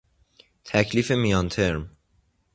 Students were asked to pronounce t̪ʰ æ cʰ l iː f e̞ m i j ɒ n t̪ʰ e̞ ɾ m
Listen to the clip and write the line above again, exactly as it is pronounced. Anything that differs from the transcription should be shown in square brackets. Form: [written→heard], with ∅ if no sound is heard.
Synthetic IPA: t̪ʰ æ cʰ l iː f e̞ m i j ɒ n t̪ʰ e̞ ɾ m